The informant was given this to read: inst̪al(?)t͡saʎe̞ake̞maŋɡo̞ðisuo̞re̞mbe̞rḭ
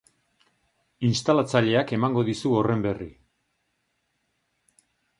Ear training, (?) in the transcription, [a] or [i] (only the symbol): a